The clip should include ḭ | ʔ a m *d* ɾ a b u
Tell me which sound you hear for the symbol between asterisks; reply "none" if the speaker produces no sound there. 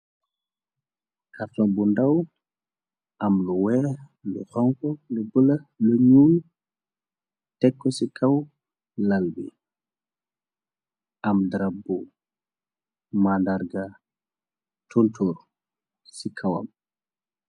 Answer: d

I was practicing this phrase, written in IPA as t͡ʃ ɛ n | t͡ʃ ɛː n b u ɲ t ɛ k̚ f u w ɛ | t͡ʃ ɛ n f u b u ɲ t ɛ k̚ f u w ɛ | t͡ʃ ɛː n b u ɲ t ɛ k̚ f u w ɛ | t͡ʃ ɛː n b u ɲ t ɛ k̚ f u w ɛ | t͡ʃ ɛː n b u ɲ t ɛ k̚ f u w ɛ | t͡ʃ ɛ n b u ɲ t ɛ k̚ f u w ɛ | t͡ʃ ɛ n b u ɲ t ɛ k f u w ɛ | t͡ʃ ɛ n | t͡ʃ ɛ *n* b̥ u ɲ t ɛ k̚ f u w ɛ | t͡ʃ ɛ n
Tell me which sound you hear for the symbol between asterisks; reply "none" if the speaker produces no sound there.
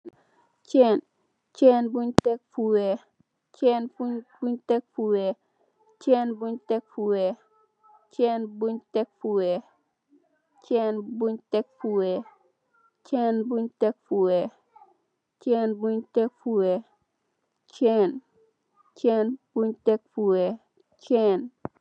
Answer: n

